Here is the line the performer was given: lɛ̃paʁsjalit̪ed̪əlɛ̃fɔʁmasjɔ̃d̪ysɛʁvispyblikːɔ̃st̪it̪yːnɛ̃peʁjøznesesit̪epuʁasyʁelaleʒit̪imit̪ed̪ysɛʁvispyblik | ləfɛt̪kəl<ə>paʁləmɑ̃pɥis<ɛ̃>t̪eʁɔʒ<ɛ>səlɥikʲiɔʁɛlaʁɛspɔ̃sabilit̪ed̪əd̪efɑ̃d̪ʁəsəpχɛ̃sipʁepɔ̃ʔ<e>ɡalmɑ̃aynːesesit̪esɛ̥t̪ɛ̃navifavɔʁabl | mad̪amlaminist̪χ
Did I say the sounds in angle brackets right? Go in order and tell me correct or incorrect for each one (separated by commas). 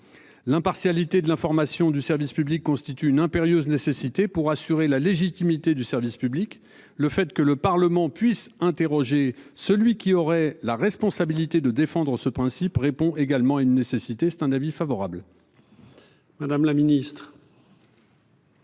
correct, correct, incorrect, correct